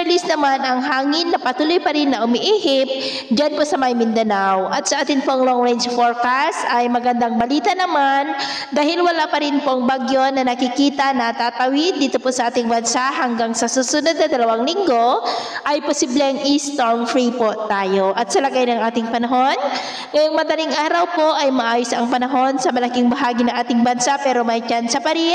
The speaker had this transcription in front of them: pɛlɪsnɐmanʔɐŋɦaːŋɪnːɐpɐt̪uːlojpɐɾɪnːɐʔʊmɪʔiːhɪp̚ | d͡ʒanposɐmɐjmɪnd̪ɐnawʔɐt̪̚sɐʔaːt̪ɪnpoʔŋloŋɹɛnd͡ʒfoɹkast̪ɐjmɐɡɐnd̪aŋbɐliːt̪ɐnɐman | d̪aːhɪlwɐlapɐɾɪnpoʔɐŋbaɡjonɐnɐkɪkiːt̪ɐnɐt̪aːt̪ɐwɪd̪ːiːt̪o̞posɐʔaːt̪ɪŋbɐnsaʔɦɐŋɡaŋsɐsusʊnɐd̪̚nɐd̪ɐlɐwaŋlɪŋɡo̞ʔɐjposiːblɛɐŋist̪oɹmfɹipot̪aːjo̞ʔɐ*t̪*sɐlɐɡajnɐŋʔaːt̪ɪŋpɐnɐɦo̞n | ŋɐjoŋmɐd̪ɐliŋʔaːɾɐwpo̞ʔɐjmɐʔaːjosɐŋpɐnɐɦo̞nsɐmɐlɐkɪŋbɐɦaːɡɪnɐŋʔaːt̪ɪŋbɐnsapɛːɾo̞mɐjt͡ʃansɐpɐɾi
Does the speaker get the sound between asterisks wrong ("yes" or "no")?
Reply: no